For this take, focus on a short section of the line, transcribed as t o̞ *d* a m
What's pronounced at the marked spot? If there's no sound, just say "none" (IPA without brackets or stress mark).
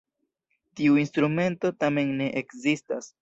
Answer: t